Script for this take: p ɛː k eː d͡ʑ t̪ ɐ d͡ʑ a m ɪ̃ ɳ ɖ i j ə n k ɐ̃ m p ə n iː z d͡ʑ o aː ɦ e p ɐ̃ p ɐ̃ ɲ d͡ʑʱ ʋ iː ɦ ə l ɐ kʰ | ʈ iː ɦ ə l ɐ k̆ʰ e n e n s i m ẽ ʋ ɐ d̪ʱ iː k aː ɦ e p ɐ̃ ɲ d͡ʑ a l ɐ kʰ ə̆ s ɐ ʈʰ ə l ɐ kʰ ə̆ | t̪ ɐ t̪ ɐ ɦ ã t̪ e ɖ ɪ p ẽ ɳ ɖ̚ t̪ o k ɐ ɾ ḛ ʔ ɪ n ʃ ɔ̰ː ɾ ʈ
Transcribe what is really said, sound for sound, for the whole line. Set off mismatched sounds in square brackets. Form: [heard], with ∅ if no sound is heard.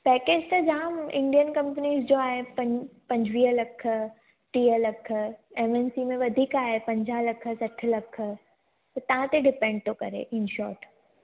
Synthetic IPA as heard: p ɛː k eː d͡ʑ t̪ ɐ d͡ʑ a m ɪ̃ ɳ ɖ i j ə n k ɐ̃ m p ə n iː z d͡ʑ o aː ɦ e p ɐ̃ p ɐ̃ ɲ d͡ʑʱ ʋ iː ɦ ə l ɐ kʰ | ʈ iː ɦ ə l ɐ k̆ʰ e [m] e n s i m ẽ ʋ ɐ d̪ʱ iː k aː ɦ e p ɐ̃ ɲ d͡ʑ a l ɐ kʰ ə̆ s ɐ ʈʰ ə l ɐ kʰ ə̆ | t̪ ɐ t̪ ɐ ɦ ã t̪ e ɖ ɪ p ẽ ɳ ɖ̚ t̪ o k ɐ ɾ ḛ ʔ ɪ n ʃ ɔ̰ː ɾ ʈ